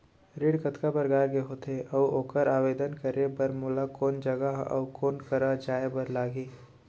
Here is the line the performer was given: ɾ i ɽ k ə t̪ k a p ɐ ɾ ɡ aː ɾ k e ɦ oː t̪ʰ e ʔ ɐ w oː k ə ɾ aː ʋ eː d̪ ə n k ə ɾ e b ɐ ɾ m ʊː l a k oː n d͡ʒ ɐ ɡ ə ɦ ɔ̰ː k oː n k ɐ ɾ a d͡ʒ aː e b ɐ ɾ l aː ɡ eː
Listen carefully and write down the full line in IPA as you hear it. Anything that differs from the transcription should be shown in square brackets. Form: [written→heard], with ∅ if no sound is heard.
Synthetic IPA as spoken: ɾ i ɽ k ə t̪ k a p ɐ ɾ ɡ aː ɾ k e ɦ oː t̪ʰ e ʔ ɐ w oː k ə ɾ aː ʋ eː d̪ ə n k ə ɾ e b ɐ ɾ m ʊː l a k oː n d͡ʒ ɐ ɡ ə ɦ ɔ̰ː k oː n k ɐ ɾ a d͡ʒ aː e b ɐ ɾ l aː ɡ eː